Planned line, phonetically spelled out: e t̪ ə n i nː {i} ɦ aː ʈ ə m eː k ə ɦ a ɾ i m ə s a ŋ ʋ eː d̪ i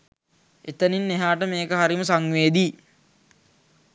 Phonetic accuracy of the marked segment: incorrect: e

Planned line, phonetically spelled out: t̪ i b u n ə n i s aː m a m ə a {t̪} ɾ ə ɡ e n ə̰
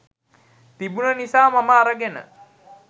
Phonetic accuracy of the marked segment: incorrect: none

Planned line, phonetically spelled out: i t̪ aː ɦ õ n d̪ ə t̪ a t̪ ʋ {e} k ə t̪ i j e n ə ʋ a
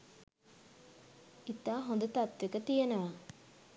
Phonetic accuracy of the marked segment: correct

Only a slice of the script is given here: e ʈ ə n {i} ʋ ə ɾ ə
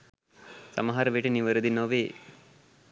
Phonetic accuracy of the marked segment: correct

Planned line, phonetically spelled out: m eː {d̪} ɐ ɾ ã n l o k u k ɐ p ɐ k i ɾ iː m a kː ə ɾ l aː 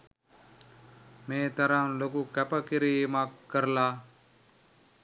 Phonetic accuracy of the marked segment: incorrect: t̪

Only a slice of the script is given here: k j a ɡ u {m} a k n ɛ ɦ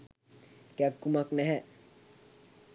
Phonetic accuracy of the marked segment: correct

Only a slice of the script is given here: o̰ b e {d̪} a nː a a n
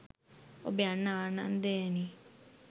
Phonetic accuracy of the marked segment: incorrect: none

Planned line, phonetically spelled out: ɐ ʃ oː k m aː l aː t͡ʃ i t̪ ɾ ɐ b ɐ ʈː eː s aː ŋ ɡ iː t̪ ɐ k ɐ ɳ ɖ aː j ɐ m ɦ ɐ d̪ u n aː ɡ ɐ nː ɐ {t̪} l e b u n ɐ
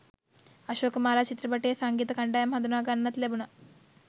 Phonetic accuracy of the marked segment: correct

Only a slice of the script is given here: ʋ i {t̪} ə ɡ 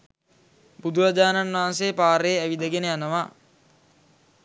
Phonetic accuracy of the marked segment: incorrect: d̪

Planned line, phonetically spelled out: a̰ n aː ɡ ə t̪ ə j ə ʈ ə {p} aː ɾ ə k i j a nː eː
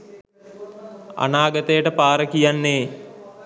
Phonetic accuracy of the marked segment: correct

